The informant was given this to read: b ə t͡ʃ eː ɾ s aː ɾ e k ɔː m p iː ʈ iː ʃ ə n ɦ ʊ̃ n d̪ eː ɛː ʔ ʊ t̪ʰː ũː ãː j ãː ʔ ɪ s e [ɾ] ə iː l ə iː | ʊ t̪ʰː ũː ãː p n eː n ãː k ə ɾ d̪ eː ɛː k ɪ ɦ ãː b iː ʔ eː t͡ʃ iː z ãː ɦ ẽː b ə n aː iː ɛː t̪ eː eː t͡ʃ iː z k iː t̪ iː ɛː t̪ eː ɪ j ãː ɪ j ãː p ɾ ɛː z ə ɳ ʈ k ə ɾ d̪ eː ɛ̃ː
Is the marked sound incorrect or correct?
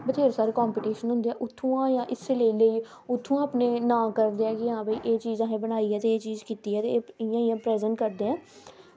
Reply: incorrect